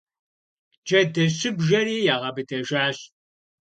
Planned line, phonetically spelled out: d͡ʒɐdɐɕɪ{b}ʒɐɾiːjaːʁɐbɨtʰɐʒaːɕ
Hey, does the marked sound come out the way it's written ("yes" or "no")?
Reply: yes